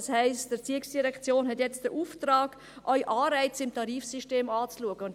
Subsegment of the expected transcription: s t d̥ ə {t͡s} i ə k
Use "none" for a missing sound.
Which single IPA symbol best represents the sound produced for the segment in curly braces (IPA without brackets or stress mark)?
t͡s